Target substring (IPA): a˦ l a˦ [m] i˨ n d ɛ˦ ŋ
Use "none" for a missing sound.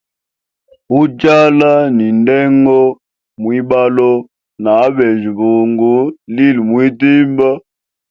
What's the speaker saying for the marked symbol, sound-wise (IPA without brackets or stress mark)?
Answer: n